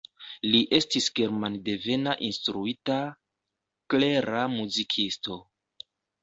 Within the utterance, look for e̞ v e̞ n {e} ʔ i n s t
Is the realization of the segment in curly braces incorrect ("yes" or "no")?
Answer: yes